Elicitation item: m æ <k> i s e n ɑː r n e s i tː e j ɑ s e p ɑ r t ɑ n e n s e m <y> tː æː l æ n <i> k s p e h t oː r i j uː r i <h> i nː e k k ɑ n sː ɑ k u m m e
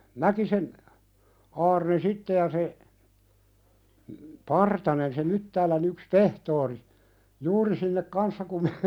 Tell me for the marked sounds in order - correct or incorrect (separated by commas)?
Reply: correct, correct, incorrect, incorrect